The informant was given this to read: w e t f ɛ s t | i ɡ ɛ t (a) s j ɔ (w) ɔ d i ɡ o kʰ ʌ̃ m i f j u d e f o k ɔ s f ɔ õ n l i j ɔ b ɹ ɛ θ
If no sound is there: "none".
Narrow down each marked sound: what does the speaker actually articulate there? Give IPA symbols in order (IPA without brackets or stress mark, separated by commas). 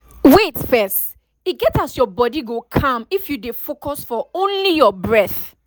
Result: a, b